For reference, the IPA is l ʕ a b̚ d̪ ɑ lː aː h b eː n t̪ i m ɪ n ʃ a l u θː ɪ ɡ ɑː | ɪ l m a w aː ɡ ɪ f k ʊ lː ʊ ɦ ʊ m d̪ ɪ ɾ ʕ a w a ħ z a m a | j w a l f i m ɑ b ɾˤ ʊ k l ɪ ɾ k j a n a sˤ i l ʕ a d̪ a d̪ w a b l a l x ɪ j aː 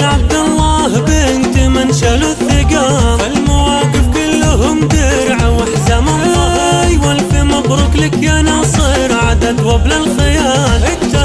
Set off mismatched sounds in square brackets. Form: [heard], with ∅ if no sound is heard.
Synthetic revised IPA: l ʕ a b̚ d̪ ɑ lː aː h b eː n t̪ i m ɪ n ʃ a l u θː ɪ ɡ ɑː | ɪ l m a w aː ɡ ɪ f k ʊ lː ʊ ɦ ʊ m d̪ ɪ ɾ ʕ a w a ħ z a m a | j w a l f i m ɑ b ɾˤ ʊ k l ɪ [∅] k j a n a sˤ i [ɾ] ʕ a d̪ a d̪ w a b l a l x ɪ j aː